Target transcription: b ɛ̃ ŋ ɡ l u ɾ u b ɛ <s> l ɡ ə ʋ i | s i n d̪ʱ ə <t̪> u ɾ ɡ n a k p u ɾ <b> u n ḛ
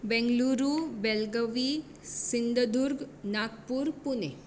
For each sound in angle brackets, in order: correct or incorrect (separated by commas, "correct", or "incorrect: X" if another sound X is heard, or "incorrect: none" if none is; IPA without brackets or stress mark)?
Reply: incorrect: none, incorrect: d̪, incorrect: p